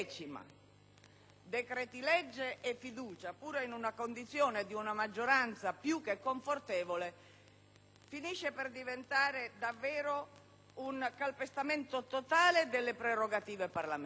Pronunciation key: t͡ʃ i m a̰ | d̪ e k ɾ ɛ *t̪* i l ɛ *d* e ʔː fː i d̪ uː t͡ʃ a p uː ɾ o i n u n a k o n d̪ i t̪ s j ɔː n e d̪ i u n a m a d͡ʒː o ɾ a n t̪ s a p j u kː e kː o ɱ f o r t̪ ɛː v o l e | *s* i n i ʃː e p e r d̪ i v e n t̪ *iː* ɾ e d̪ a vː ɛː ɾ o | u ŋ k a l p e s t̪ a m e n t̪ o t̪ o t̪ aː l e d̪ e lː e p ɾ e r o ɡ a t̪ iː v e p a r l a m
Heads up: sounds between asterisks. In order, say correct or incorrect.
correct, incorrect, incorrect, incorrect

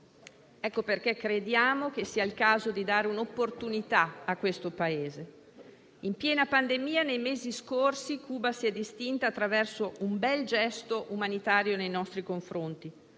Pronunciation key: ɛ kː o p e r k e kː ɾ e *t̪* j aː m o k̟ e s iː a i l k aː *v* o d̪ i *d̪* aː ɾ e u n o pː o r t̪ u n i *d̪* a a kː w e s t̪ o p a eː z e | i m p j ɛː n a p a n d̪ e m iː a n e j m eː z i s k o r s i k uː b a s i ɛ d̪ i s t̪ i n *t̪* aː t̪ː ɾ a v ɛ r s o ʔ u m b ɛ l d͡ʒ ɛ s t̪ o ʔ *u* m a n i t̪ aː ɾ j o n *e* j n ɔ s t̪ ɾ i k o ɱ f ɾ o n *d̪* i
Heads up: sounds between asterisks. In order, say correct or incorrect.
incorrect, incorrect, correct, incorrect, correct, correct, correct, incorrect

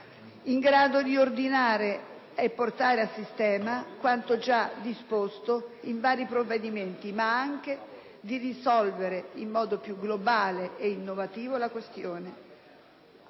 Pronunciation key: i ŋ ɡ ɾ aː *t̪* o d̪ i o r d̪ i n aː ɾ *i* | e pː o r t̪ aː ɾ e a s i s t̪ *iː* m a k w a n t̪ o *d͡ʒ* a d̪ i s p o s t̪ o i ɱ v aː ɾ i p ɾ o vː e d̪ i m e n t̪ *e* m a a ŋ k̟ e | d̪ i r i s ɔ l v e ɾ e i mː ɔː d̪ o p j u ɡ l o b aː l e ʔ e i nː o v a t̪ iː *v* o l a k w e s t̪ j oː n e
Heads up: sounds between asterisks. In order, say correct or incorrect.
incorrect, incorrect, incorrect, correct, incorrect, correct

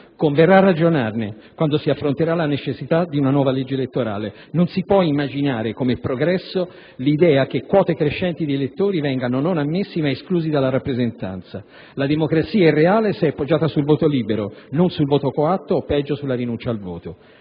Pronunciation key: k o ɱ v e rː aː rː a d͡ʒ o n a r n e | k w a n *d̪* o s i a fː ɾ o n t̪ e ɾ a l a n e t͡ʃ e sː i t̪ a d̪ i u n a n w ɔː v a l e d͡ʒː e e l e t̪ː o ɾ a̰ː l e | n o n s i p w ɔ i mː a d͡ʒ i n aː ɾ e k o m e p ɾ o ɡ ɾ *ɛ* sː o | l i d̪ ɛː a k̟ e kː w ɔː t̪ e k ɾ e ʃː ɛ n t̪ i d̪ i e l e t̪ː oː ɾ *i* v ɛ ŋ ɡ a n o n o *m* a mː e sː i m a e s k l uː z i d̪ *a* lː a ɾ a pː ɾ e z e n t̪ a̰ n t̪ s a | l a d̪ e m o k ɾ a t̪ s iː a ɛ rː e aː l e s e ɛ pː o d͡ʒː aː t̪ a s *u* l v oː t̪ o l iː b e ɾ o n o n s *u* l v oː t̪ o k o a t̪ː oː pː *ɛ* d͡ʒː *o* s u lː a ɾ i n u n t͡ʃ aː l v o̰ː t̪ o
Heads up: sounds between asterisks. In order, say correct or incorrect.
correct, correct, correct, incorrect, correct, correct, correct, correct, correct

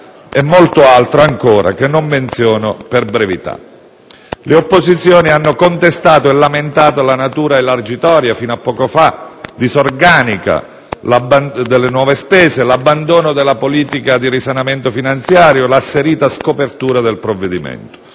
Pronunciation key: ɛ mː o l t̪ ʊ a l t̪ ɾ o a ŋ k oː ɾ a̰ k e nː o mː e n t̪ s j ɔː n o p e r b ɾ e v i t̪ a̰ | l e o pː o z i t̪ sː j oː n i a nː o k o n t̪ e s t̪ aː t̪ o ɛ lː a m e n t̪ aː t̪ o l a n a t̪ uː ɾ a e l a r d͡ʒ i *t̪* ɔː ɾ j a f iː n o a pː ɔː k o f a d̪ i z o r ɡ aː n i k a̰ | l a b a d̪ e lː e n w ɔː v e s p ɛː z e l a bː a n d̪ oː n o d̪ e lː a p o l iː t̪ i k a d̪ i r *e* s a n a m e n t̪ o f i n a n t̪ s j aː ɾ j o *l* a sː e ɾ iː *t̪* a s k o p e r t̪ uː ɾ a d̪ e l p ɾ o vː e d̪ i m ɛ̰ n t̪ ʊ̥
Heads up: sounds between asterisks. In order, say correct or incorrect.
correct, incorrect, correct, correct

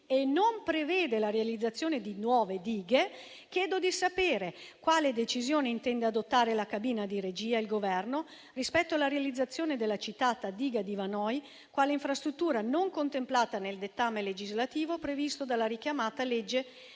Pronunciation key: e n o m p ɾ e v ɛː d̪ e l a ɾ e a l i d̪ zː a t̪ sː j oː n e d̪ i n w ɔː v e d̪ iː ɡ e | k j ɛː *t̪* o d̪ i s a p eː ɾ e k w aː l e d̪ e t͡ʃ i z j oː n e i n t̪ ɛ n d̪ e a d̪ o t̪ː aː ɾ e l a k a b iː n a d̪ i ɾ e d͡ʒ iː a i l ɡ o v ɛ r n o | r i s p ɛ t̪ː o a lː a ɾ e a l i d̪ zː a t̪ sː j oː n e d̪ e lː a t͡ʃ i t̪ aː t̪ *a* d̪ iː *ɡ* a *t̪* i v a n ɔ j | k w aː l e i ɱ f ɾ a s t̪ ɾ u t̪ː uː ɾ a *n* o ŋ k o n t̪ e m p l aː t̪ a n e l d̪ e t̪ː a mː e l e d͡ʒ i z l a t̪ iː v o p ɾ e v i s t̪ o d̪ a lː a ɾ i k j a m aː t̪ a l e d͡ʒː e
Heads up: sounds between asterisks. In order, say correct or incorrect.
incorrect, correct, correct, incorrect, correct

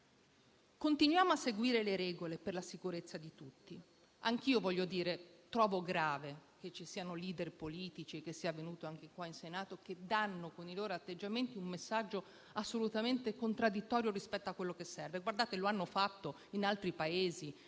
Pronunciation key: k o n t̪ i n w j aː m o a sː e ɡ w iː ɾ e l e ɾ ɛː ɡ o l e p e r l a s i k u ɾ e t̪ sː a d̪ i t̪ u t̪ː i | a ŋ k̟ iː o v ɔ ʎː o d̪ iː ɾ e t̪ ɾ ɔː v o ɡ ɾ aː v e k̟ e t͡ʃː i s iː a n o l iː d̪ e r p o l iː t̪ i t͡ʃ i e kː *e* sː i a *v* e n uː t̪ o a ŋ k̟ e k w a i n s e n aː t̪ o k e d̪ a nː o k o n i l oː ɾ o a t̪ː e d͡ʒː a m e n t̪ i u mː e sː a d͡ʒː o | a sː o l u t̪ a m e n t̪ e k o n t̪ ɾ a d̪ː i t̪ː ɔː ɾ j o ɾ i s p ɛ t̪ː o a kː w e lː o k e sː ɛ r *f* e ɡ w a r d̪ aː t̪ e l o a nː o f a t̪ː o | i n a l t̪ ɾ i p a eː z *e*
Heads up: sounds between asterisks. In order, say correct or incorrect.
correct, correct, incorrect, incorrect

